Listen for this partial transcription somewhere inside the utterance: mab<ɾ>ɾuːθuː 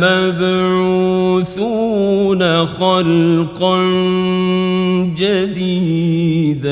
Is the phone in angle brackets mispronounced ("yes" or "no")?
no